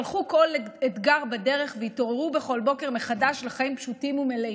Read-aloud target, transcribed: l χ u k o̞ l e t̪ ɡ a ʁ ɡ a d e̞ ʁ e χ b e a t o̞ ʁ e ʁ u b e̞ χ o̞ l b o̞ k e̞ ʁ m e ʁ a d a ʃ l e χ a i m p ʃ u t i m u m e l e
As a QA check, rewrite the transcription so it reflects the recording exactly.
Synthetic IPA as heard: l χ u k o̞ l e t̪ ɡ a ʁ b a d e̞ ʁ e χ v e i t o̞ ʁ e ʁ u b e̞ χ o̞ l b o̞ k e̞ ʁ m e χ a d a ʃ l e χ a i m p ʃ u t i m u m e l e